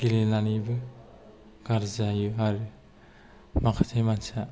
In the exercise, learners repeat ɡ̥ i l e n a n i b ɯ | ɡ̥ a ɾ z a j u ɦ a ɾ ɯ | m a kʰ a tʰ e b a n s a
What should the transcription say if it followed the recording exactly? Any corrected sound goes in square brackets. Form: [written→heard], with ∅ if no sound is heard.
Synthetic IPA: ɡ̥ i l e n a n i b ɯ | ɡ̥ a ɾ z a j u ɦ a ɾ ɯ | m a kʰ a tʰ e [b→m] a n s a